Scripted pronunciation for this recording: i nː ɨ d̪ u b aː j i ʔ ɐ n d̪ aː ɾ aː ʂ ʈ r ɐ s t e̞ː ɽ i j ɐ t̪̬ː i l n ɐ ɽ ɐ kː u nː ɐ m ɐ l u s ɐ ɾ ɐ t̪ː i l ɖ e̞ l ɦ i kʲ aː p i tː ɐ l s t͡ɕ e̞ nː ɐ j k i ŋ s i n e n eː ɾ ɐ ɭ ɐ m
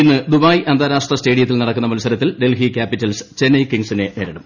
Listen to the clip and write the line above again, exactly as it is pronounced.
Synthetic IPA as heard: i nː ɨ d̪ u b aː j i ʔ ɐ n d̪ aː ɾ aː ʂ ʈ r ɐ s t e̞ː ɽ i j ɐ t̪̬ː i l n ɐ ɽ ɐ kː u nː ɐ m ɐ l u s ɐ ɾ ɐ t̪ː i l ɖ e̞ l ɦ i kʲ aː p i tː ɐ l s t͡ɕ e̞ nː ɐ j k i ŋ s i n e n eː ɾ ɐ ɽ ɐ m